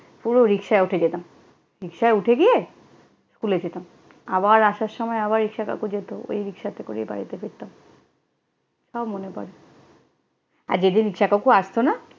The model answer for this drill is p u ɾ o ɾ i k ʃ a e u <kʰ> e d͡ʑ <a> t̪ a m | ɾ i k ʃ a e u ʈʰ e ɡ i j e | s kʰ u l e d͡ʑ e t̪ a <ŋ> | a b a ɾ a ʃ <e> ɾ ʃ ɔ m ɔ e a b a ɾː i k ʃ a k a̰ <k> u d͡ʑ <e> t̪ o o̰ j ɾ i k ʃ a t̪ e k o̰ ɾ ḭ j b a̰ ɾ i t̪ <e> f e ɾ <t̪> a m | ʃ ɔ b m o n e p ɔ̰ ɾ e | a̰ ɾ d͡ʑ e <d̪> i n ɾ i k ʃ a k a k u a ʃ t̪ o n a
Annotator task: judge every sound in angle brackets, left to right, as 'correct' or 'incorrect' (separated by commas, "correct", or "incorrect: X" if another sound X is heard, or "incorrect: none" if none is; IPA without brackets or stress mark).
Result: incorrect: ʈʰ, incorrect: e, incorrect: m, incorrect: a, correct, correct, correct, correct, correct